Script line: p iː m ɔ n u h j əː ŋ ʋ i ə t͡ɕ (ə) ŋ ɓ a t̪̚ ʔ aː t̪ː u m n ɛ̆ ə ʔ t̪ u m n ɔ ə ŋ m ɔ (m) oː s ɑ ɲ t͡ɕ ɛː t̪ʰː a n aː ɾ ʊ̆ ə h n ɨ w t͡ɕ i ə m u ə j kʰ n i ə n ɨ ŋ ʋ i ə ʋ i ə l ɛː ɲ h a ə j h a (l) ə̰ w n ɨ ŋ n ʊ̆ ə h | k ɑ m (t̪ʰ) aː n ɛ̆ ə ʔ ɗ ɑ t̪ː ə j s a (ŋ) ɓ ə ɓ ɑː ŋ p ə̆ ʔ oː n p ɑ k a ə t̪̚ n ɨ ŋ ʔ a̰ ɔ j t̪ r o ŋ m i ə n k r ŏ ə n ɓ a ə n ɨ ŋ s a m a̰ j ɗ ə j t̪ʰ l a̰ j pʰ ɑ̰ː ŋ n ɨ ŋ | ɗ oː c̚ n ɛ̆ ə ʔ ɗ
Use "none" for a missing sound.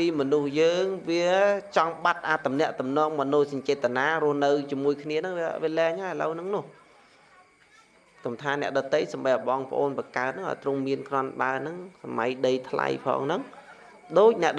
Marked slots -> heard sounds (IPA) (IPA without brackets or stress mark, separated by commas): ɑ, n, l, t̪ʰ, m